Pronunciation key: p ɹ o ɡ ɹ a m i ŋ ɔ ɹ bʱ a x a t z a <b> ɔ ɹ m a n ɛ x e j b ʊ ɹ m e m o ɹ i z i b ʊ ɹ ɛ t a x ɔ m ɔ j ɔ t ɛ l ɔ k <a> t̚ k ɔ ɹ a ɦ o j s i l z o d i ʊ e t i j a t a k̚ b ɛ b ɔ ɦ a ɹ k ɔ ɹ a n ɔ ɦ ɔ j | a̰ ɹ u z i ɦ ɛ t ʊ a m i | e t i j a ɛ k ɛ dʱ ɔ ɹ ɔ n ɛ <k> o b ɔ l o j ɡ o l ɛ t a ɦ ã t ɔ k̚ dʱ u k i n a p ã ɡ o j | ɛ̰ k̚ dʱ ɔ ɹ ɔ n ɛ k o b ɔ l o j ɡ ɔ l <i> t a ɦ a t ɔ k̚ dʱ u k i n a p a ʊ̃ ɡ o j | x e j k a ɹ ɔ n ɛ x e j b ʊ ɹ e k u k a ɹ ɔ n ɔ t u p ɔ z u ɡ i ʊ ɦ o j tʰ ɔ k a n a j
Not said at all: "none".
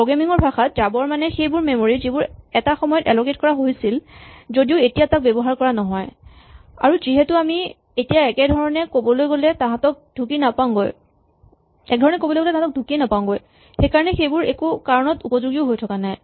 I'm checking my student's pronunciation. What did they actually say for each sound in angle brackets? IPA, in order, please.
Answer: b, e, k, ɛ

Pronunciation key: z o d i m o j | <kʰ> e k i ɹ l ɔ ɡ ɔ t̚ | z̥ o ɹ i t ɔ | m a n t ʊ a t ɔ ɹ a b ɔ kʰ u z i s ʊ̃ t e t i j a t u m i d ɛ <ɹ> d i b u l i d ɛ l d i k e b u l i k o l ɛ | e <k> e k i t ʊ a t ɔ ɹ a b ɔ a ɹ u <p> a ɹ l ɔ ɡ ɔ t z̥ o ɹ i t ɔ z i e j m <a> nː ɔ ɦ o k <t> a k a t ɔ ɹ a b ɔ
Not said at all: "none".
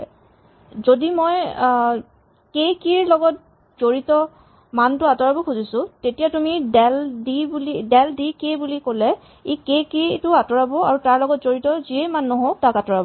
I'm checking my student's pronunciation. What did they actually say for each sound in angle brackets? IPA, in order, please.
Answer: k, l, k, t, a, t

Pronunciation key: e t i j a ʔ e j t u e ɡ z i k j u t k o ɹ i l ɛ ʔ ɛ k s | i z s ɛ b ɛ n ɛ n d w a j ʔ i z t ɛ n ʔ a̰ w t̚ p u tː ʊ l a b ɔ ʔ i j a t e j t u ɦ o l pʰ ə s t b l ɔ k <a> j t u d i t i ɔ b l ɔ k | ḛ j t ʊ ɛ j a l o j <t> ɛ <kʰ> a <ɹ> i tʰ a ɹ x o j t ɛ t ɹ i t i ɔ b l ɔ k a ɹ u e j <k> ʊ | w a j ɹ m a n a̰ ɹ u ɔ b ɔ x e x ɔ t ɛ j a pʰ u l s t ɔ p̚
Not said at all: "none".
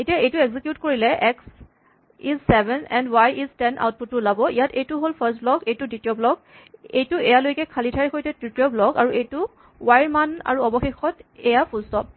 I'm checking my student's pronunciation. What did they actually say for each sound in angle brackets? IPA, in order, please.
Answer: e, k, kʰ, l, t

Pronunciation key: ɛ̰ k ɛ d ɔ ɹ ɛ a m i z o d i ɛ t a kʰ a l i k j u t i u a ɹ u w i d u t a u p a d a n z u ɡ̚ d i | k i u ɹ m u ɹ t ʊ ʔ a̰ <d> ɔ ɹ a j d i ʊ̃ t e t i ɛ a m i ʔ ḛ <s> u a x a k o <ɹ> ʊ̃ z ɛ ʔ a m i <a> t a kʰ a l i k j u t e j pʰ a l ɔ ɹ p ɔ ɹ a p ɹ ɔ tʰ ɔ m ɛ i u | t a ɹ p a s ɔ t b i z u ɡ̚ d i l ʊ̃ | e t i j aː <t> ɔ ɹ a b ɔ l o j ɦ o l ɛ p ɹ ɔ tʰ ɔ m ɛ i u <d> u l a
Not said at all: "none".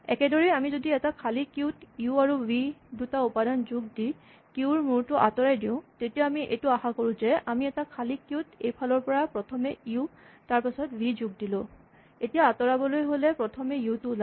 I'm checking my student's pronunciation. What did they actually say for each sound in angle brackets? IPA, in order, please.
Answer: t, t, ɹ, ɛ, t, t

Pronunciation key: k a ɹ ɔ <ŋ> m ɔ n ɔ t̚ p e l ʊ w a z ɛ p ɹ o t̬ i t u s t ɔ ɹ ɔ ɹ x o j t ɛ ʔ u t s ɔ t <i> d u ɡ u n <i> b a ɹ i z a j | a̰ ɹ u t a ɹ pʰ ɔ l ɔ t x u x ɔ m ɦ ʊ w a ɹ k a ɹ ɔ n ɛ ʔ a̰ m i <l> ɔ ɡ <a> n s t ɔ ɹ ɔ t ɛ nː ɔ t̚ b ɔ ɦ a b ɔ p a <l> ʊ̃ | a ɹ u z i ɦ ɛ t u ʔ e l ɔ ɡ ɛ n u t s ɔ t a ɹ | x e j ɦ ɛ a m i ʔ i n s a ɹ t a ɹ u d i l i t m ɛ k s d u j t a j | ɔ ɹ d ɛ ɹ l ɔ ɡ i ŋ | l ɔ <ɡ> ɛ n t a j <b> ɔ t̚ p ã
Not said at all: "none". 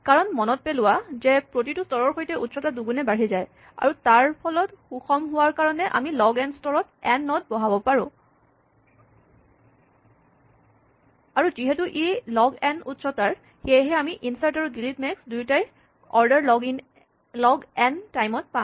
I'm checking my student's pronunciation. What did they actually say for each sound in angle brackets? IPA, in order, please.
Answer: n, a, ɛ, l, ɛ, ɹ, ɡ, m

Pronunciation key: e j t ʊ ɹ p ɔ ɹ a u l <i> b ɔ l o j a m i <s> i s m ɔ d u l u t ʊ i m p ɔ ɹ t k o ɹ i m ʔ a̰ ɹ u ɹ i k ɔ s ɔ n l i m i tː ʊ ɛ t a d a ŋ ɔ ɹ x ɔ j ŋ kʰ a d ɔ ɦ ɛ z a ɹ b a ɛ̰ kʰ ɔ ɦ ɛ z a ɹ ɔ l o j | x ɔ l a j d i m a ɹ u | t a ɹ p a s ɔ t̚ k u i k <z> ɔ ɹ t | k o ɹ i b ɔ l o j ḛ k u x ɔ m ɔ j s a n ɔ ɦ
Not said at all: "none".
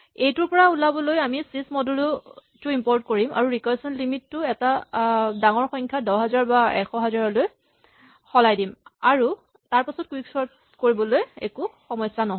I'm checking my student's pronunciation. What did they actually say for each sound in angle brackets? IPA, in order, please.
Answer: a, s, s

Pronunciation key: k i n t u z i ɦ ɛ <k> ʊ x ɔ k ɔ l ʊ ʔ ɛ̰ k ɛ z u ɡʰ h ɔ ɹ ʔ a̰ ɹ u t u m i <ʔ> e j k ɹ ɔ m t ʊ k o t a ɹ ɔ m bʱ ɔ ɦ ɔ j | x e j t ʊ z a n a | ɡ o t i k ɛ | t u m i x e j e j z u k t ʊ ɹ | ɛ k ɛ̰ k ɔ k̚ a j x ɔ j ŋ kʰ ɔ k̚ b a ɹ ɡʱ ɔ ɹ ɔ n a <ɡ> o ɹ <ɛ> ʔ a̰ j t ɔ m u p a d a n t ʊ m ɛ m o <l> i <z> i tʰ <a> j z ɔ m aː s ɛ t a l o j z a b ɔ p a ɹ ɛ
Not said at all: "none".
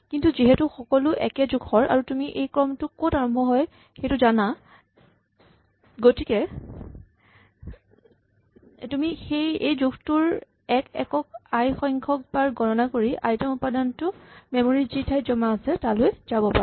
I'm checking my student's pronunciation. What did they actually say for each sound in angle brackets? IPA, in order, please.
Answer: t, ʔ, k, i, ɹ, z, a

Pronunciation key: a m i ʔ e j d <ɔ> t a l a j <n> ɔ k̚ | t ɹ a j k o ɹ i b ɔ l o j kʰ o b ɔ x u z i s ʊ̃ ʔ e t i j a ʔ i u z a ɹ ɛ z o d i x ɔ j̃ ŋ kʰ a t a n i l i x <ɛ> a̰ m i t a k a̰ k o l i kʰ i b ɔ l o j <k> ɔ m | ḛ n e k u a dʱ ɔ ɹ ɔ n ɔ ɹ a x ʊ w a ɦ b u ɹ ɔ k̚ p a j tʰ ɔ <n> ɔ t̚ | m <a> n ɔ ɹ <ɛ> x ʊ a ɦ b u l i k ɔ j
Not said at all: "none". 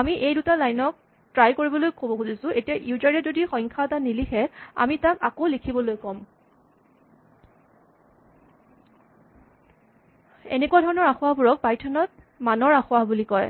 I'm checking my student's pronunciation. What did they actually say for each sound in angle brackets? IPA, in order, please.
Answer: u, n, ɛ, k, n, a, a

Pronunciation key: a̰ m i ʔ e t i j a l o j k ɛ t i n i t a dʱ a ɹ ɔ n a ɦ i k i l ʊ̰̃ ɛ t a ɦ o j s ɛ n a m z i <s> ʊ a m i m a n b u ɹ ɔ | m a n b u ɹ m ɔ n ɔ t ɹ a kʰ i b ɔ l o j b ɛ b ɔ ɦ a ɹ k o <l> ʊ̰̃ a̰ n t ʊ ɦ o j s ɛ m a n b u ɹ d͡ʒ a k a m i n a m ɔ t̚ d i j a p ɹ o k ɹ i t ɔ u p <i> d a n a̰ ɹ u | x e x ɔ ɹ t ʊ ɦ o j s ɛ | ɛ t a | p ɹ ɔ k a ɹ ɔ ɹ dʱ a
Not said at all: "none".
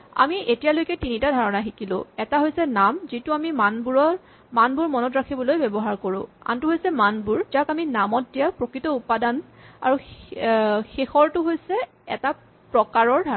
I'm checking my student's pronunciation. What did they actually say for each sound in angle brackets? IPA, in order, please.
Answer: t, ɹ, a

